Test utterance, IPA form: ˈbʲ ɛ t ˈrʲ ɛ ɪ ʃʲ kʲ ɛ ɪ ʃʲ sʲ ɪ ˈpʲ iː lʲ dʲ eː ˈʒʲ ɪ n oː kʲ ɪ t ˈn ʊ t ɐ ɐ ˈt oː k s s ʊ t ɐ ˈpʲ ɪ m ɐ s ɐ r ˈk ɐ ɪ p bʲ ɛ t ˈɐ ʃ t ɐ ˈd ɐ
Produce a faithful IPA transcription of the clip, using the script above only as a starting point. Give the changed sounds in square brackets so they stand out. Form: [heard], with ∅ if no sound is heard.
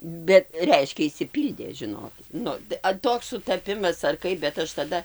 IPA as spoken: ˈbʲ ɛ t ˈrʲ ɛ ɪ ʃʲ kʲ ɛ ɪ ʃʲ sʲ ɪ ˈpʲ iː lʲ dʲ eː ˈʒʲ ɪ n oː kʲ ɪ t ˈn ʊ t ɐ ɐ ˈt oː k s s ʊ t ɐ ˈpʲ ɪ m ɐ s ɐ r ˈk ɐ ɪ p bʲ ɛ t ˈɐ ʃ t ɐ ˈd ɐ